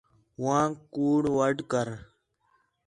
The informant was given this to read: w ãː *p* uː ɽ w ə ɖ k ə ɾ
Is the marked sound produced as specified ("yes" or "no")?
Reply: no